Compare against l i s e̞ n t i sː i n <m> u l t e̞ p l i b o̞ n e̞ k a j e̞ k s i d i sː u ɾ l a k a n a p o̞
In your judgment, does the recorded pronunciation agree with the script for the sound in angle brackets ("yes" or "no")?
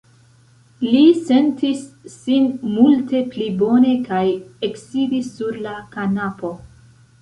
yes